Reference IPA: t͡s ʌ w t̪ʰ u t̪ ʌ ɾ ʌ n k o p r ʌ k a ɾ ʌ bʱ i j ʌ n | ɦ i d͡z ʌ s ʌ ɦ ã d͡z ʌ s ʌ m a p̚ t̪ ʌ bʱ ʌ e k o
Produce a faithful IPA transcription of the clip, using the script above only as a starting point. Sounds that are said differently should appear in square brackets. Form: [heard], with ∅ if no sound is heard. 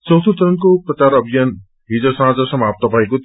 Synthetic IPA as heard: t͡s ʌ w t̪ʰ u t̪ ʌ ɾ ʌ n k o p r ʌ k a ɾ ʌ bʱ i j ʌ n | ɦ i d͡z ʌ s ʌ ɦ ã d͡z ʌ s ʌ m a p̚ t̪ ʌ bʱ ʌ e k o

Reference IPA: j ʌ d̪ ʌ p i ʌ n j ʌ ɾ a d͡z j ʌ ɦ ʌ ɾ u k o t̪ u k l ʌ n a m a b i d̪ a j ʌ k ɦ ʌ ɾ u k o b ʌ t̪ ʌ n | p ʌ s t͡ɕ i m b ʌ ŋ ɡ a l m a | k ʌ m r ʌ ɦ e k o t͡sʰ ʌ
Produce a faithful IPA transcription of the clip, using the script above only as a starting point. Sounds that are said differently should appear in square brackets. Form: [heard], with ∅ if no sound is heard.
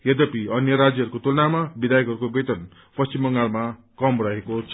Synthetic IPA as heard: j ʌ d̪ ʌ p i ʌ n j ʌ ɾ a d͡z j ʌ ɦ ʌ ɾ u k o t̪ u [∅] l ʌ n a m a b i d̪ a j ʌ k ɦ ʌ ɾ u k o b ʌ t̪ ʌ n | p ʌ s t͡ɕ i m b ʌ ŋ ɡ a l m a | k ʌ m r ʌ ɦ e k o t͡sʰ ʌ

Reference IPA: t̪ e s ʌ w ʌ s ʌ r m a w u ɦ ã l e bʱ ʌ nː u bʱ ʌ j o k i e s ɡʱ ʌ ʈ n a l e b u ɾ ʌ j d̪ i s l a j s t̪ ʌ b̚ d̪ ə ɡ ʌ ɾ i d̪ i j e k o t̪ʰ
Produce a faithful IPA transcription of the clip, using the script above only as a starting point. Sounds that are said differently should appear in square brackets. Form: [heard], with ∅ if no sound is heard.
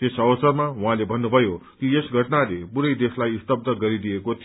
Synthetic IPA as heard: t̪ e s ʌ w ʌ s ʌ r m a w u ɦ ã l e bʱ ʌ nː u bʱ ʌ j o k i e s ɡʱ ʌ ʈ n a l e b u ɾ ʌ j d̪ [e] s l a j s t̪ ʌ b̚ d̪ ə ɡ ʌ ɾ i d̪ i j e k o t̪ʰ

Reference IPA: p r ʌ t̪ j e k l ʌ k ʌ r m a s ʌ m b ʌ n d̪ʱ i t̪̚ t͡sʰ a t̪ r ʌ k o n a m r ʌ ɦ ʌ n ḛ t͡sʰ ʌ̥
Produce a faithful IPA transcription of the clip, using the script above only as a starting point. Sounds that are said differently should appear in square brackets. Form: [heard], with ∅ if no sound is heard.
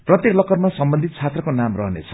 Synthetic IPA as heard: p r ʌ t̪ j e k l ʌ k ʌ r m a s ʌ m b ʌ n d̪ʱ i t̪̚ t͡sʰ a t̪ r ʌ k o n a m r ʌ ɦ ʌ n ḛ t͡sʰ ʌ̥

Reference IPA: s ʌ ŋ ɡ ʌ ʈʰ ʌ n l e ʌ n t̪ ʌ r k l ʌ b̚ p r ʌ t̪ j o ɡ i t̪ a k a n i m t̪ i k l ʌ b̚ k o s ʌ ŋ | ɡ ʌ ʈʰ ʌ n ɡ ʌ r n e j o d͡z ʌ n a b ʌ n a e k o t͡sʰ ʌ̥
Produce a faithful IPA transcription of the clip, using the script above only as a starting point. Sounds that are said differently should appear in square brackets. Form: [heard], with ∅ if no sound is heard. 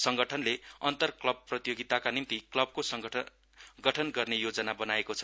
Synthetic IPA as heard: s ʌ ŋ ɡ ʌ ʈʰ ʌ n l e ʌ n t̪ ʌ r k l ʌ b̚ p r ʌ t̪ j o ɡ i t̪ a k a n i m t̪ i k l ʌ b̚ k o s ʌ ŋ | ɡ ʌ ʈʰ ʌ n ɡ ʌ r n e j o d͡z ʌ n a b ʌ n a e k o t͡sʰ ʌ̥

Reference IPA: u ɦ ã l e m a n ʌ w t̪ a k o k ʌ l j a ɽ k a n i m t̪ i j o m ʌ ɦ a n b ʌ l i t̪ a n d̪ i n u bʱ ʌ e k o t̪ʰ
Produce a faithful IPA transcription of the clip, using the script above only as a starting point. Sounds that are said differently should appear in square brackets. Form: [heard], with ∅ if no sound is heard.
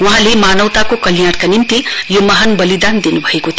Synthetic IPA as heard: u ɦ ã l e m a n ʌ w t̪ a k o k ʌ l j a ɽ k a n i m t̪ i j o m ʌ ɦ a n b ʌ l i [d̪] a n d̪ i n u bʱ ʌ e k o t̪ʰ

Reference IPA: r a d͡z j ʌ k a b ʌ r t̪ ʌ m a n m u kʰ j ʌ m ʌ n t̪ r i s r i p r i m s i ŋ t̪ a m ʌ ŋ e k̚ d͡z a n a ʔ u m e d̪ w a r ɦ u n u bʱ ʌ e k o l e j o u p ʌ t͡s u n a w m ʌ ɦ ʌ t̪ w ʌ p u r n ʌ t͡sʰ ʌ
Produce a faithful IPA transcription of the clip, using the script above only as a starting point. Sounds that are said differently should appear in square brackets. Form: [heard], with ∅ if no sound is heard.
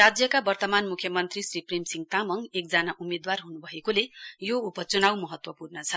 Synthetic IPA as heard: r a d͡z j ʌ k a b ʌ r t̪ ʌ m a n m u kʰ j ʌ m ʌ n t̪ r i s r i p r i m s i ŋ t̪ a m ʌ ŋ e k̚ d͡z a n a ʔ u m e d̪ w a r ɦ u n u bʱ ʌ e k o l e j o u p ʌ t͡s u n a w m ʌ ɦ ʌ t̪ w ʌ p u r n ʌ t͡sʰ ʌ

